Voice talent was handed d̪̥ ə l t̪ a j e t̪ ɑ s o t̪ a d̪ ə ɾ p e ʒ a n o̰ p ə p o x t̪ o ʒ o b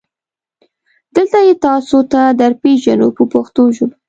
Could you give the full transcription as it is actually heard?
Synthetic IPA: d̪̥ ə l t̪ a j e t̪ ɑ s o t̪ a d̪ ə ɾ p e ʒ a n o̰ p ə p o x t̪ o ʒ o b